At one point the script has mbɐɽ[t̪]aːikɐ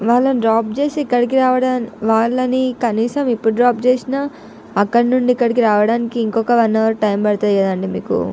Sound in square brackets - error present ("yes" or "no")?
no